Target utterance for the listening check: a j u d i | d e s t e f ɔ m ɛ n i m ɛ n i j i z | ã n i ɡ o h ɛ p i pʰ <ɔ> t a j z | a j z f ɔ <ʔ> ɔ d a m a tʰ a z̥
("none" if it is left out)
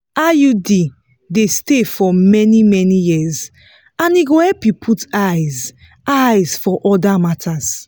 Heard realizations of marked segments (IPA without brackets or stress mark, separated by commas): u, ʔ